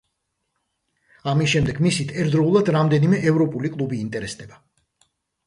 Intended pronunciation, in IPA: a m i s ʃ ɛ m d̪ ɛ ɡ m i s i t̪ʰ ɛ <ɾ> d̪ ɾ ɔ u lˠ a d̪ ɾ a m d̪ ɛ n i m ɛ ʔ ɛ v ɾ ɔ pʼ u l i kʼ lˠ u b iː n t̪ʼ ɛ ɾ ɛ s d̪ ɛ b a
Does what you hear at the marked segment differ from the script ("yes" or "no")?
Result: no